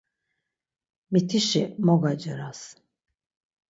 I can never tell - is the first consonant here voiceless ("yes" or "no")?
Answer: no